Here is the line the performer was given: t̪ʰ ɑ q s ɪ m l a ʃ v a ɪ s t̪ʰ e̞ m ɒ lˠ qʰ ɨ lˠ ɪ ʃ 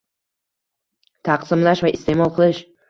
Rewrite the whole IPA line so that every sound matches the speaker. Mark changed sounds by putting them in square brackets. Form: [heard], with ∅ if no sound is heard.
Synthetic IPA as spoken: t̪ʰ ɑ q s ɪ m l a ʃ v a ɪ s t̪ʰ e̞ m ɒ lˠ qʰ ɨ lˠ ɪ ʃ